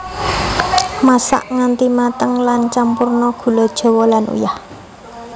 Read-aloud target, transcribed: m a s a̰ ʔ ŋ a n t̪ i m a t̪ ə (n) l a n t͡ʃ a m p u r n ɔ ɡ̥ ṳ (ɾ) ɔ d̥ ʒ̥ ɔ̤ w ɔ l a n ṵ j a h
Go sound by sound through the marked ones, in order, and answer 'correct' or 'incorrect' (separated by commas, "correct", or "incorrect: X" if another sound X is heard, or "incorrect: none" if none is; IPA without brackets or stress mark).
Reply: incorrect: ŋ, incorrect: l